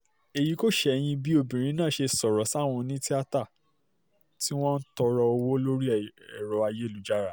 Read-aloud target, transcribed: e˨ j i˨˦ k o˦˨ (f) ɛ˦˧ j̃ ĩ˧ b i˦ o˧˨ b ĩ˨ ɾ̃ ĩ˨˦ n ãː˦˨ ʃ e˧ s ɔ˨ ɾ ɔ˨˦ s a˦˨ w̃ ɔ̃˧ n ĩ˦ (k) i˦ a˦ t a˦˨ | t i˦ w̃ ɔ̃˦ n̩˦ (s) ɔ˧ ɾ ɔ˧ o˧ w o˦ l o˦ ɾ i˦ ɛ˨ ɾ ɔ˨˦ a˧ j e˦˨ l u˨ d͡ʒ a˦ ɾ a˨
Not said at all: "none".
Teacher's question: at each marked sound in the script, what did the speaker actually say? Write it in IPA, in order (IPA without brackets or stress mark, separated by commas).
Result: ʃ, t, t